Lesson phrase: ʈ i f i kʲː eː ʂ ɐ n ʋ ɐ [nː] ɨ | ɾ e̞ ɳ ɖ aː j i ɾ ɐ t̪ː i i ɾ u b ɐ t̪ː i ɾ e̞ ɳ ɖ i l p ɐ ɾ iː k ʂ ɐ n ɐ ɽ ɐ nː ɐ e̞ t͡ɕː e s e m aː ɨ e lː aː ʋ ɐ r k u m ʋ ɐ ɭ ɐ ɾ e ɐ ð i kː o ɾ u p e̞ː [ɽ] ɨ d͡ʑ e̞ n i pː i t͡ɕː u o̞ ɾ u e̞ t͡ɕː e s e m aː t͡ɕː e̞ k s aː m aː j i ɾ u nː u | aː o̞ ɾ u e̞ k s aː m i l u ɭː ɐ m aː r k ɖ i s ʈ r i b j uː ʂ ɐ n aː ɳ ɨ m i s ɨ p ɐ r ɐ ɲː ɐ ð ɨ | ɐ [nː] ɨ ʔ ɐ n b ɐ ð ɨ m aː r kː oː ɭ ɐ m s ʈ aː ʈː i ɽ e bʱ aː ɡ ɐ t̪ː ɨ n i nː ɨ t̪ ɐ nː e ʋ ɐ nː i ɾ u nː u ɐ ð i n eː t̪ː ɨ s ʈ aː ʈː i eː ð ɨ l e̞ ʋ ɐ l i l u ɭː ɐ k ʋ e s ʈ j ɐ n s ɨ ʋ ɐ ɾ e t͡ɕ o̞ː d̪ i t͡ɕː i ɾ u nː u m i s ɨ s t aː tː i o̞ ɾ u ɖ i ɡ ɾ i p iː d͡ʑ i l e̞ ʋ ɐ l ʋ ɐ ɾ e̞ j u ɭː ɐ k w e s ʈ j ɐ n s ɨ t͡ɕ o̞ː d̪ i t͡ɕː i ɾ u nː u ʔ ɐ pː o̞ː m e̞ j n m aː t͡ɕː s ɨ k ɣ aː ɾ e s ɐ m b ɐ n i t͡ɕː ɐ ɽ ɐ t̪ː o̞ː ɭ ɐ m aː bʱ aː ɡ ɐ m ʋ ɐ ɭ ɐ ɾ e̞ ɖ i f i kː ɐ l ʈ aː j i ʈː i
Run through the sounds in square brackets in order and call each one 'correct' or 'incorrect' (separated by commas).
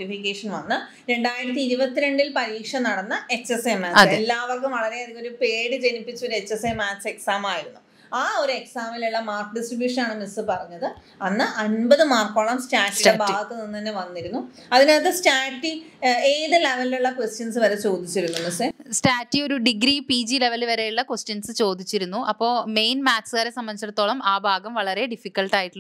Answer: correct, correct, correct